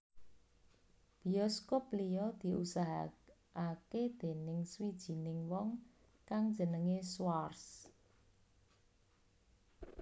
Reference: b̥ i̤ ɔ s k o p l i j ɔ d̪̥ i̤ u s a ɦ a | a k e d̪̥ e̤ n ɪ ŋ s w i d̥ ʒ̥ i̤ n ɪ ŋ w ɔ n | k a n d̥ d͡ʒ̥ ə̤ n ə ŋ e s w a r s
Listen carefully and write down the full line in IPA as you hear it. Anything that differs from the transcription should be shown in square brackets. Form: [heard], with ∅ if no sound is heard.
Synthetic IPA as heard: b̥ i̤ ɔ s k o p l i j ɔ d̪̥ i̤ u s a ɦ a | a k e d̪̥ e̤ n ɪ ŋ s w i d̥ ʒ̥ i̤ n ɪ ŋ w ɔ [ŋ] | k a [ŋ] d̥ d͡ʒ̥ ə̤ n ə ŋ e s w a r s